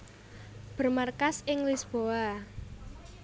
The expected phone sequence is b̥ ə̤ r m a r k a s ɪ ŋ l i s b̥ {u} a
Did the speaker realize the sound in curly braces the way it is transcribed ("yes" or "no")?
no